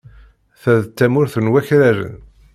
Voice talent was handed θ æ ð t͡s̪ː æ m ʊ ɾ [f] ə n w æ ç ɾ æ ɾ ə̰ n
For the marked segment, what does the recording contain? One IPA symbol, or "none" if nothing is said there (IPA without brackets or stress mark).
θ